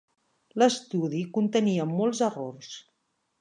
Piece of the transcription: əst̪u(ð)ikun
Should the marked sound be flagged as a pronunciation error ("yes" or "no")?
no